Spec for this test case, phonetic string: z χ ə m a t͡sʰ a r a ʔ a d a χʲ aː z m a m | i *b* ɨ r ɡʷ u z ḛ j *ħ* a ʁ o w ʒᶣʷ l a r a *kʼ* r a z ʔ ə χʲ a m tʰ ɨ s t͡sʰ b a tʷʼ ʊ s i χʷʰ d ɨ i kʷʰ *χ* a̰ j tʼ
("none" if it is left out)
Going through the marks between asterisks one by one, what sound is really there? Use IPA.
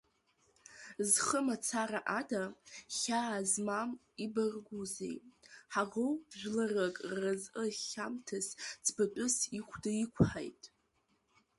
b, ħ, kʼ, ħ

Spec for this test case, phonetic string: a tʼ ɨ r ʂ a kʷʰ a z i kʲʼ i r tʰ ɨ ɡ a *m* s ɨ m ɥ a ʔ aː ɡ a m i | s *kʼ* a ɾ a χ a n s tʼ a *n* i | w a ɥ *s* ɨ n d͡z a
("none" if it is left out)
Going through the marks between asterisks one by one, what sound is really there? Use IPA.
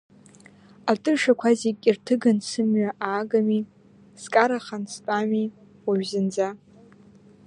n, kʼ, m, z

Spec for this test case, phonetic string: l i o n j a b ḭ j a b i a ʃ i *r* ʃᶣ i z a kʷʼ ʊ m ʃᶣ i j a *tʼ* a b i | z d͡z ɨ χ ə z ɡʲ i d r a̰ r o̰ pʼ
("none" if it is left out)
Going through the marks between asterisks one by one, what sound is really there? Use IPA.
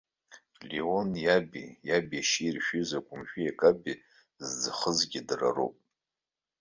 r, kʼ

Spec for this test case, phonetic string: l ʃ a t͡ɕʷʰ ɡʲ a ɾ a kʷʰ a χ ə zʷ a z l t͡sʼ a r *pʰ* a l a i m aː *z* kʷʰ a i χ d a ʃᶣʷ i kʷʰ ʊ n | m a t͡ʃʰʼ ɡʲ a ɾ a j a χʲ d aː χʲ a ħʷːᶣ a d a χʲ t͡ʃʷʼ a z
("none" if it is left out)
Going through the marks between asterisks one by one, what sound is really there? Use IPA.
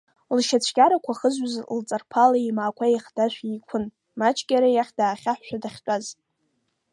pʰ, none

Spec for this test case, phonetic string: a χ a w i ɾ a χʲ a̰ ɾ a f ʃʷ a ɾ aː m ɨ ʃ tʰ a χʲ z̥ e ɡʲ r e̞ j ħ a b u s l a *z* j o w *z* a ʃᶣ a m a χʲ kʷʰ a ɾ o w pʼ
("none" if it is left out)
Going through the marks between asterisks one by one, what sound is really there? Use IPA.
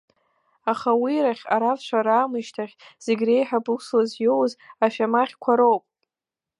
z, z

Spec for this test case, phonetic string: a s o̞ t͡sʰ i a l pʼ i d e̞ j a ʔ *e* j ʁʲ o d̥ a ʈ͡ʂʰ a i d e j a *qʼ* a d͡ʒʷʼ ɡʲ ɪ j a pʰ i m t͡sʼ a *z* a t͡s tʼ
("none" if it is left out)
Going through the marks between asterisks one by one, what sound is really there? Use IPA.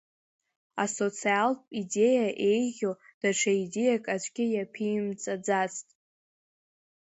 e, kʼ, d͡z

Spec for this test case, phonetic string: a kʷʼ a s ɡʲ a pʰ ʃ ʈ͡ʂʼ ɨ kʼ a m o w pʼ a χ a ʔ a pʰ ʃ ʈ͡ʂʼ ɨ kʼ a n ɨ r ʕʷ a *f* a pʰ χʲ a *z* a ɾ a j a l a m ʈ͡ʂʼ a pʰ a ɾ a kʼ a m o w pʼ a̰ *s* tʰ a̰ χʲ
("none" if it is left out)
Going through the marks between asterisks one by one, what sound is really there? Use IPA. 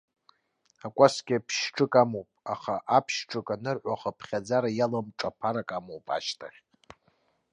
χ, d͡z, ʃ

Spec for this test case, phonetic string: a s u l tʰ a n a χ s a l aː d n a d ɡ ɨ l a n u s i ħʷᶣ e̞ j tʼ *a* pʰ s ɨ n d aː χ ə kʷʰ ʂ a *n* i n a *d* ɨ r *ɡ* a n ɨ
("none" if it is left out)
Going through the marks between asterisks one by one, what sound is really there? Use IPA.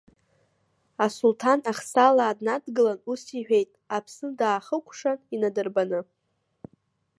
a, n, d, b

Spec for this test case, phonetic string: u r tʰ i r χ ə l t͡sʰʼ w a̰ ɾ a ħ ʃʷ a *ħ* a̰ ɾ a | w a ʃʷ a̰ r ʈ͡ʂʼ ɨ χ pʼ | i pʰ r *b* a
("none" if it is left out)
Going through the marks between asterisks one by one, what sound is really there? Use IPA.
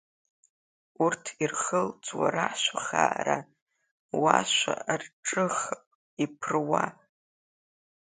χ, w

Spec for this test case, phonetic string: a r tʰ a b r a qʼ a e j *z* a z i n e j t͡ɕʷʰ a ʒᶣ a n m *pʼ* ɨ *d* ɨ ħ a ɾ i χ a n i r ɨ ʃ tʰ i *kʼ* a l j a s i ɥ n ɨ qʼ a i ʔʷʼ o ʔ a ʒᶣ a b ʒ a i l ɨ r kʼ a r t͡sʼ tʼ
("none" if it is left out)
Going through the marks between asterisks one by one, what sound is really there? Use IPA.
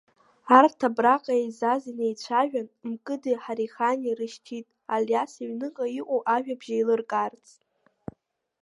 z, kʼ, d, tʼ

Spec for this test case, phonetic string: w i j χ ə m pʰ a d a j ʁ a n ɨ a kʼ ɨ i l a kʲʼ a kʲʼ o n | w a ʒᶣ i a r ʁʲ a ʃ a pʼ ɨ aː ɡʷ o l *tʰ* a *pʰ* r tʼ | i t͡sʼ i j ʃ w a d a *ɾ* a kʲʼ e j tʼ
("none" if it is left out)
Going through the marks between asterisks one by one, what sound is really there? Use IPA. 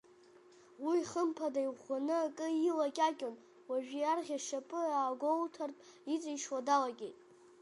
tʰ, none, l

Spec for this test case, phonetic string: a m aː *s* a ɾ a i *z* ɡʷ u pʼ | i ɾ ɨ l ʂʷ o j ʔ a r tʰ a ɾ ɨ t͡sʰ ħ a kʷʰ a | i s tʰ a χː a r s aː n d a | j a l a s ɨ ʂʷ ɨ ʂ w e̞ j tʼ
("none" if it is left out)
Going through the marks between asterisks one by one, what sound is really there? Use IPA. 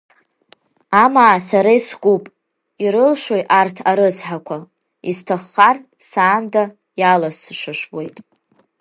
s, s

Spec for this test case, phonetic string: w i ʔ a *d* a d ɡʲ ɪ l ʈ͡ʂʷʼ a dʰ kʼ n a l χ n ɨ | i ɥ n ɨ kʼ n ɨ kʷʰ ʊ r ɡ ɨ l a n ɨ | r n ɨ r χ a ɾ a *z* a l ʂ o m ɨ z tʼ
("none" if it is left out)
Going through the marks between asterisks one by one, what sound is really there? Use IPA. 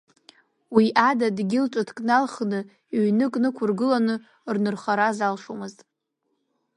d, z

